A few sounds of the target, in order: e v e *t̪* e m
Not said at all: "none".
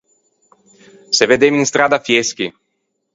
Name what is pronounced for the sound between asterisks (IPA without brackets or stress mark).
d̪